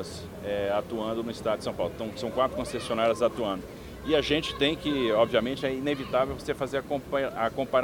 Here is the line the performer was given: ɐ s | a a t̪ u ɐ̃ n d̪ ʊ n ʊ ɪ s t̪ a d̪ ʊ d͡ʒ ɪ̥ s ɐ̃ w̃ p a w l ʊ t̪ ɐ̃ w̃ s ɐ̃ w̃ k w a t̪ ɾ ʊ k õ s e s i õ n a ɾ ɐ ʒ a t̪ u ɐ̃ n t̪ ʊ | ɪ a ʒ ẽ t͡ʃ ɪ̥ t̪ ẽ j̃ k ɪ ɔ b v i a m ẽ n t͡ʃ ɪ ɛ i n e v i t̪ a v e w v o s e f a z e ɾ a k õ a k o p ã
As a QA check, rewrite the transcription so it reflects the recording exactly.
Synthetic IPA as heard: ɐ s | ɛ a t̪ u ɐ̃ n d̪ ʊ n ʊ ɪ s t̪ a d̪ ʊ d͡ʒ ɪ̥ s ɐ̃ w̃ p a w l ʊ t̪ ɐ̃ w̃ s ɐ̃ w̃ k w a t̪ ɾ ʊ k õ s e s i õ n a ɾ ɐ z a t̪ u ɐ̃ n d̪ ʊ | ɪ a ʒ ẽ t͡ʃ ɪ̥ t̪ ẽ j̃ k ɪ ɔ b v i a m ẽ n t͡ʃ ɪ ɛ i n e v i t̪ a v e w v o s e f a z e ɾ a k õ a k õ p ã